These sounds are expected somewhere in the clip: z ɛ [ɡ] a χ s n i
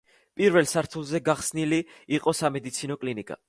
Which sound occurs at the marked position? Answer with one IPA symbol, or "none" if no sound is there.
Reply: ɡ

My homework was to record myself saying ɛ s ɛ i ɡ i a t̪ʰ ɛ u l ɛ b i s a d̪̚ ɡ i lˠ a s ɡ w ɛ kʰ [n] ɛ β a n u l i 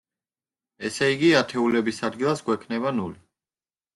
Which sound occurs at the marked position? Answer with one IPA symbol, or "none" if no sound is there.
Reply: n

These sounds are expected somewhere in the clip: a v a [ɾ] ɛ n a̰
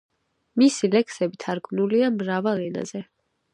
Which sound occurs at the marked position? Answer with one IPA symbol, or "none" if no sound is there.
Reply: l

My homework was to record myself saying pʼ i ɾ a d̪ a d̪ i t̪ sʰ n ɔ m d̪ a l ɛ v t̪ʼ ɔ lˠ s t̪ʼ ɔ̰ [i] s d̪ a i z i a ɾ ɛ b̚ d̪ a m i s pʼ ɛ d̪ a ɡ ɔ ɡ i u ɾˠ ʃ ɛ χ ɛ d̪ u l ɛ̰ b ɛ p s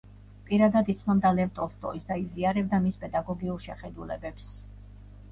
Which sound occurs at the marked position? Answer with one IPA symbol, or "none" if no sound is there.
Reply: i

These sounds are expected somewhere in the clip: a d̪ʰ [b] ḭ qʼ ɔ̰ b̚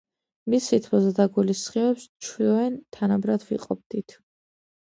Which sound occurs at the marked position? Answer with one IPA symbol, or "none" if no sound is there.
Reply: v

